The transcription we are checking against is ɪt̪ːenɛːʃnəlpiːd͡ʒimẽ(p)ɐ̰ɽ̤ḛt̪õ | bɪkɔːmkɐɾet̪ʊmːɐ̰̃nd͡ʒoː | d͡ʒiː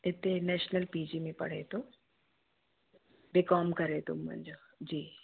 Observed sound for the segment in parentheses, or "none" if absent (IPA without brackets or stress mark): p